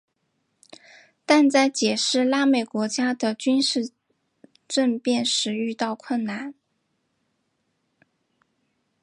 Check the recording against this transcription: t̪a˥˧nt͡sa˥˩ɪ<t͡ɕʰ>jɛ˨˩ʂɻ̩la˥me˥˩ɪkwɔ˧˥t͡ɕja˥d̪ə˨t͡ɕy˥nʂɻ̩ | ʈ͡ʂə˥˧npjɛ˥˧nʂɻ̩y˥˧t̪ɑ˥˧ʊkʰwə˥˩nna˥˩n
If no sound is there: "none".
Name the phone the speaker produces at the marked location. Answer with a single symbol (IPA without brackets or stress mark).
t͡ɕ